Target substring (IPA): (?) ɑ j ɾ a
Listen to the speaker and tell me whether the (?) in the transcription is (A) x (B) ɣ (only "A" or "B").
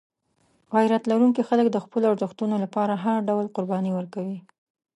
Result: B